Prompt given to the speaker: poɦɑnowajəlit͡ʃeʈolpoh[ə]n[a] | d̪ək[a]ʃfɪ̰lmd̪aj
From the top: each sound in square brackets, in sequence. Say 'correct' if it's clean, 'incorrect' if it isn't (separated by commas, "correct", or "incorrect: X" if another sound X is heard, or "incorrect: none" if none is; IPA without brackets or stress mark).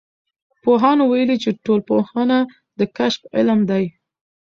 incorrect: ɑ, correct, correct